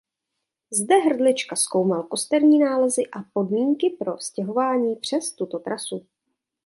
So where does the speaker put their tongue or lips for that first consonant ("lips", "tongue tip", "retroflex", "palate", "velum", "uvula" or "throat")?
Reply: tongue tip